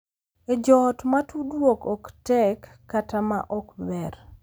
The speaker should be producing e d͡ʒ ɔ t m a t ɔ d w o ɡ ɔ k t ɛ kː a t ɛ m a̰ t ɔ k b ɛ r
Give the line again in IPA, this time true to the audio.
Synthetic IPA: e d͡ʒ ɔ t m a t u d w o k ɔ k t ɛ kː a t a m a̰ ʔ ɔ k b ɛ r